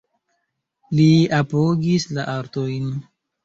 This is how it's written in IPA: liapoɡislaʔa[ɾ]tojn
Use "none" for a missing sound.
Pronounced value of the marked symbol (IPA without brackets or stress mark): ɾ